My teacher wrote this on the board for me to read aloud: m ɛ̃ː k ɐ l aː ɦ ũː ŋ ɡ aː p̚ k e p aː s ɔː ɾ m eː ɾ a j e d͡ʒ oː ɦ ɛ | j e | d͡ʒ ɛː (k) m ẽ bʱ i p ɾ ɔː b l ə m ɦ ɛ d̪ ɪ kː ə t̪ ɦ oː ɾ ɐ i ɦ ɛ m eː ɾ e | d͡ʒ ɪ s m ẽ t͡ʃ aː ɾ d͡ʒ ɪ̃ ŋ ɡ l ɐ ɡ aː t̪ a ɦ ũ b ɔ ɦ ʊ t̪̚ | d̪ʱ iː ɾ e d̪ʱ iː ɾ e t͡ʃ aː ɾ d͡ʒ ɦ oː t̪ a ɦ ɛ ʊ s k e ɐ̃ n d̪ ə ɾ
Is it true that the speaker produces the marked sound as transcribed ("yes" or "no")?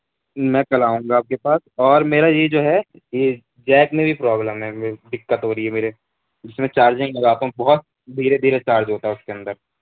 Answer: yes